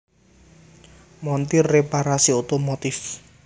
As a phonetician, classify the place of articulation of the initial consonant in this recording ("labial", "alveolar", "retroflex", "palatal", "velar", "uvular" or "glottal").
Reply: labial